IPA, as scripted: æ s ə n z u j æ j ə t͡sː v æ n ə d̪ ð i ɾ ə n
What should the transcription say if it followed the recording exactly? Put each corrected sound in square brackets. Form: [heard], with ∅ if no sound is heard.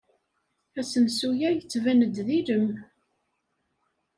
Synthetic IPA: æ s ə n [s] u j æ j ə t͡sː v æ n ə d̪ ð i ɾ ə [m]